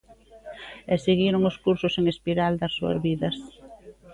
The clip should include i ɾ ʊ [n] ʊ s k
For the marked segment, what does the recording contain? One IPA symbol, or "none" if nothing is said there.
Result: ŋ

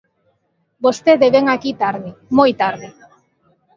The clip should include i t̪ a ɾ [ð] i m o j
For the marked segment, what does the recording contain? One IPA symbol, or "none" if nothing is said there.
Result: ð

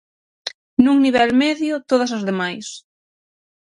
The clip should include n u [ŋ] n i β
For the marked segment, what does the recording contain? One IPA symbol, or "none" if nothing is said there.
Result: ŋ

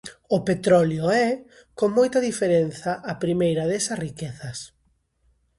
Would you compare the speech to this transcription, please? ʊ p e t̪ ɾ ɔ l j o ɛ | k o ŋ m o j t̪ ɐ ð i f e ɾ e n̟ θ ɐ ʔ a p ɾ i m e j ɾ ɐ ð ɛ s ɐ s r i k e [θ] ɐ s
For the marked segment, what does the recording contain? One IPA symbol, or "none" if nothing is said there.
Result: θ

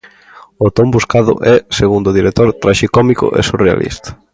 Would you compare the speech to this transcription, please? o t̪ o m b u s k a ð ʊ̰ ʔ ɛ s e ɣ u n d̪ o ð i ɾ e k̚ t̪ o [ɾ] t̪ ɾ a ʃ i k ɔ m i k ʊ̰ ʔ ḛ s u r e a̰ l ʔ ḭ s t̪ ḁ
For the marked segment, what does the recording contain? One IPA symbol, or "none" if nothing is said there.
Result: ɾ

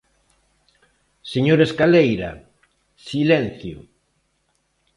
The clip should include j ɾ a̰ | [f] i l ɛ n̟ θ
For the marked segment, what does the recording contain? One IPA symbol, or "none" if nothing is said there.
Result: s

